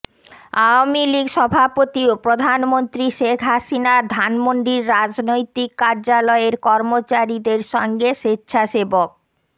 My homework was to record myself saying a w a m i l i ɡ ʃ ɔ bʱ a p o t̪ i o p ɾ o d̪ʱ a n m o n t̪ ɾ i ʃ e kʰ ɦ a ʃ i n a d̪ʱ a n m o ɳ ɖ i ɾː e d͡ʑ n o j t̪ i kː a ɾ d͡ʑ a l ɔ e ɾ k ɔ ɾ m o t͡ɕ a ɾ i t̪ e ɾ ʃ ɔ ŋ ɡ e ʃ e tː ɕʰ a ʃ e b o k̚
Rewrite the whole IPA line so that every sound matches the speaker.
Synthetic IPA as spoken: a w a m i l i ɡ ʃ ɔ bʱ a p o t̪ i o p ɾ o d̪ʱ a n m o n t̪ ɾ i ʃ e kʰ ɦ a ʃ i n a d̪ʱ a n m o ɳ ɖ i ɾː a d͡ʑ n o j t̪ i kː a ɾ d͡ʑ a l ɔ e ɾ k ɔ ɾ m o t͡ɕ a ɾ i d̪ e ɾ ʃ ɔ ŋ ɡ e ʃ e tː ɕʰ a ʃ e b o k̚